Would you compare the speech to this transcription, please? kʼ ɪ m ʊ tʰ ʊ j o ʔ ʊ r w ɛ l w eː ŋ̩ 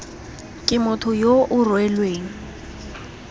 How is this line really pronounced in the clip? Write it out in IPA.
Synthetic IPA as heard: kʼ ɪ m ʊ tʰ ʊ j o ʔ ʊ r w ɛ l w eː ŋ̩